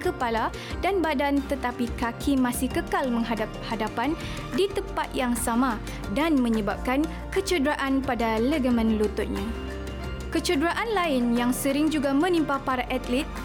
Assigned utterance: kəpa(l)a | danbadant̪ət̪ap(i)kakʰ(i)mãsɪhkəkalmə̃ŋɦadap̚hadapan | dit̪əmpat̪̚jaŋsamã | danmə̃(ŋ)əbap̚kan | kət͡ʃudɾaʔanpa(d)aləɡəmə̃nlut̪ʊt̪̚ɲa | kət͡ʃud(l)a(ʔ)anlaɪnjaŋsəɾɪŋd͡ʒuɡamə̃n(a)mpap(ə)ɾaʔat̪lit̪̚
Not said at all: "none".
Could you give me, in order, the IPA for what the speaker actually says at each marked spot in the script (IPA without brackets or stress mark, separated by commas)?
l, i, i, ɲ, d, ɾ, ʔ, i, a